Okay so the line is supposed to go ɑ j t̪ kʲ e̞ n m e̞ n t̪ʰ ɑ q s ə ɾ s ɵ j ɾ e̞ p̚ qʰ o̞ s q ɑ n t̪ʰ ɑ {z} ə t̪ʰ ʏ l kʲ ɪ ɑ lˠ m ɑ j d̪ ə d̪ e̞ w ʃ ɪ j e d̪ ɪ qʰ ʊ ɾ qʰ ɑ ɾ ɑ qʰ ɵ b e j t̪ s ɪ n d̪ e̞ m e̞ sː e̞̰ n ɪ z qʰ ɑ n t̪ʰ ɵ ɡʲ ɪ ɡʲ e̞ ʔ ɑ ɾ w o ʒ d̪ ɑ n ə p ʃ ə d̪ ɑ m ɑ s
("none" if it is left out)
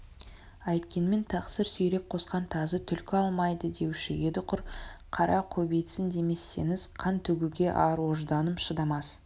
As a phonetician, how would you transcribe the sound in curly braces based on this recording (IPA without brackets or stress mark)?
z